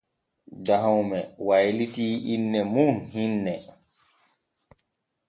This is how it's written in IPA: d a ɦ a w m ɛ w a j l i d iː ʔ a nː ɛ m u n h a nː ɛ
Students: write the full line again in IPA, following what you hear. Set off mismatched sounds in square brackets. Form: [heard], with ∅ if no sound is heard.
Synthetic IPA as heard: d a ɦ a w m ɛ w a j l i [t] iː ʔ [i] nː ɛ m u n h [i] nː ɛ